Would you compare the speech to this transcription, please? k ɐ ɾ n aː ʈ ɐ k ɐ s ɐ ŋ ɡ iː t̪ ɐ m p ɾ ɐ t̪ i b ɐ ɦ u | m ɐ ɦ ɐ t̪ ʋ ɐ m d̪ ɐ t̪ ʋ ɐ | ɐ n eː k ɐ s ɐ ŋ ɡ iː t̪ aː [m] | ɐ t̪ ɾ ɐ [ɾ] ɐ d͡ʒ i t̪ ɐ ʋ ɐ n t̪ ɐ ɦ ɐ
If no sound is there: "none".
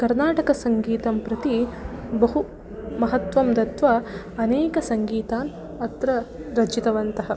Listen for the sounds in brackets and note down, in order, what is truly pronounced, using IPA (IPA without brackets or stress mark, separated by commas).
n, ɾ